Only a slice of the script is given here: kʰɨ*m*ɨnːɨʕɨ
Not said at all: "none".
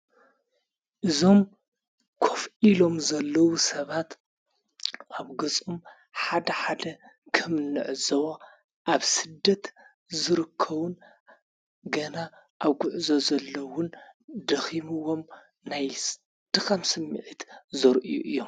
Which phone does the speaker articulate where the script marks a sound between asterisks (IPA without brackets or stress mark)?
m